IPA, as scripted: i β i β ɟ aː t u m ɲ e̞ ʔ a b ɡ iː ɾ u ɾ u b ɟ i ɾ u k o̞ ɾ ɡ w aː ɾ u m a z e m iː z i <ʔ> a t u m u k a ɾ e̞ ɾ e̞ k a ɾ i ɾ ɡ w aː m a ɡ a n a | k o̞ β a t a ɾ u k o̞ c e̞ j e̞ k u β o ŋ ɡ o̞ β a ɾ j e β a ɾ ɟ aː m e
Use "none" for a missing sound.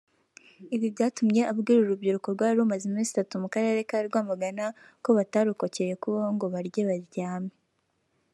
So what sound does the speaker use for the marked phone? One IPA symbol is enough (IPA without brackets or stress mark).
t